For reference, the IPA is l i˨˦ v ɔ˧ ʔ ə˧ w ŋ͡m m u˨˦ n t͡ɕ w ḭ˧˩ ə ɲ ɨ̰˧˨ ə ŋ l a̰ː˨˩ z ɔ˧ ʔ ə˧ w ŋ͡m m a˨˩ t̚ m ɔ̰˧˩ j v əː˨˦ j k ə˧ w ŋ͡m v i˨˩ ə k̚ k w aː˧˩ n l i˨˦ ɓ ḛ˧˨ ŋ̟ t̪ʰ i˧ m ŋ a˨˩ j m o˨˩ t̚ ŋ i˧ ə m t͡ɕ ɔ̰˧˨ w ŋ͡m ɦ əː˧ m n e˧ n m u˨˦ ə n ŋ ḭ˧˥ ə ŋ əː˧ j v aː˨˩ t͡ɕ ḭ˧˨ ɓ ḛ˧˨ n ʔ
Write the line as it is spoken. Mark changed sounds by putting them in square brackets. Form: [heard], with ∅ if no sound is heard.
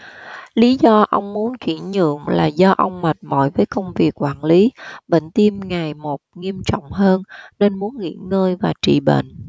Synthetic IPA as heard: l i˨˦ [z] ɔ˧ ʔ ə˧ w ŋ͡m m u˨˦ n t͡ɕ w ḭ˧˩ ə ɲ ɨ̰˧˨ ə ŋ l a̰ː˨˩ z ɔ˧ ʔ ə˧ w ŋ͡m m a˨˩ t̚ m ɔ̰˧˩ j v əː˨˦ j k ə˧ w ŋ͡m v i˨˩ ə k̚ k w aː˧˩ n l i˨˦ ɓ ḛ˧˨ ŋ̟ [t̪] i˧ m ŋ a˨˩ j m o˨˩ t̚ ŋ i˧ ə m t͡ɕ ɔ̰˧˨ w ŋ͡m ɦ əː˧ [n] n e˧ n m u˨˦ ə n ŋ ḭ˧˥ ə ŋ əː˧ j v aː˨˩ t͡ɕ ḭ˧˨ ɓ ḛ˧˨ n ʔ